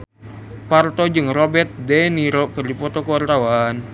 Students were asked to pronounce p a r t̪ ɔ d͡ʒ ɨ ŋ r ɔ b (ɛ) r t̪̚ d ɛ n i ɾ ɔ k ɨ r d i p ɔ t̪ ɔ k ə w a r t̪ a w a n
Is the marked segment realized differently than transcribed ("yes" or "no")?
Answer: no